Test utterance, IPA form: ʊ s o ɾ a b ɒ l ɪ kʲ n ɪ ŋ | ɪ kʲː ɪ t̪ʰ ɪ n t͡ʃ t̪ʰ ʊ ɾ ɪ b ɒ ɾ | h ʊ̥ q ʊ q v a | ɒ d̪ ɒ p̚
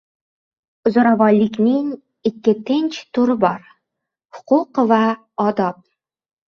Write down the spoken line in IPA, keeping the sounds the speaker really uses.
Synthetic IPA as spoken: ʊ z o ɾ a v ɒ l ɪ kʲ n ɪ ŋ | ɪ kʲː ɪ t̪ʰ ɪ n t͡ʃ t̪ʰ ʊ ɾ ɪ b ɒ ɾ | h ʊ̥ q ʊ q v a | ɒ d̪ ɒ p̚